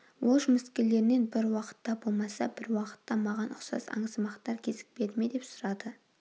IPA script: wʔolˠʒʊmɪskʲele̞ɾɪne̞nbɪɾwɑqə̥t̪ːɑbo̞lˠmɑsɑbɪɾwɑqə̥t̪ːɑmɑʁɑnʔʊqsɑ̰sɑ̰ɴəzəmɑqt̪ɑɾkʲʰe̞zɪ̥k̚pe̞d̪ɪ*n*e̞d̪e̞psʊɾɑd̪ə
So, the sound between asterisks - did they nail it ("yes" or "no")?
no